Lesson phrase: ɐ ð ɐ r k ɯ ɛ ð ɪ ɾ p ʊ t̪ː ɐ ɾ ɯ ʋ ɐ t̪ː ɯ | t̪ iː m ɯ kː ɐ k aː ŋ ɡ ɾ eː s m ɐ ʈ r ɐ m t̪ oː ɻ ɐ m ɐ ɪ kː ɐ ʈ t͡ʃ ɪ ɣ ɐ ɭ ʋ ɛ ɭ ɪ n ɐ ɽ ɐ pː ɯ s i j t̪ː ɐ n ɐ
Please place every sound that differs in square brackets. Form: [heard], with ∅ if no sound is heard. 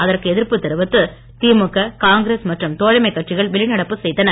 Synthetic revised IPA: ɐ ð ɐ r k ɯ ɛ ð ɪ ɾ p [ɯ] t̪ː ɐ ɾ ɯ ʋ ɐ t̪ː ɯ | t̪ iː m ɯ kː ɐ k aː ŋ ɡ ɾ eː s m ɐ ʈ r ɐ m t̪ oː ɻ ɐ m ɐ ɪ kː ɐ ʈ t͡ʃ ɪ ɣ ɐ ɭ ʋ ɛ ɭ ɪ n ɐ ɽ ɐ pː ɯ s [ɛ] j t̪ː ɐ n ɐ